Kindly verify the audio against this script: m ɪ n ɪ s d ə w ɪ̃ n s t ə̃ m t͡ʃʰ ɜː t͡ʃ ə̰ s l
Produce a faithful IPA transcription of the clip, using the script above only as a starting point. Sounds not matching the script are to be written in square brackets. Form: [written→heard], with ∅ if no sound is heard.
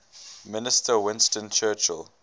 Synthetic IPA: m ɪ n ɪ s [d→t] ə w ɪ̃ n s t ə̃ [m→n] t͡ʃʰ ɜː t͡ʃ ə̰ [s→∅] l